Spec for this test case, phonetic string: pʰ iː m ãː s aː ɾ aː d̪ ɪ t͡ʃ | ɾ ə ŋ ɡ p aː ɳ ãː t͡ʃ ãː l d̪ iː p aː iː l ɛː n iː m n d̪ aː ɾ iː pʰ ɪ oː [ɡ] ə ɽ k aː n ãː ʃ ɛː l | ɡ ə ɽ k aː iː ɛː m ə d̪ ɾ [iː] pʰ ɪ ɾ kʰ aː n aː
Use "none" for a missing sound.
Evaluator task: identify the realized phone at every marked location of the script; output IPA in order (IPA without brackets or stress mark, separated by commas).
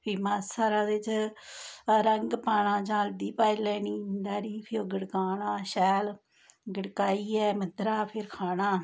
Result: ɡ, aː